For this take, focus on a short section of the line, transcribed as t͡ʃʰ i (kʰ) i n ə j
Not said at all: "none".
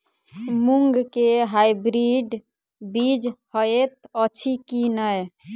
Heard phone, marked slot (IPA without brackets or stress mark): k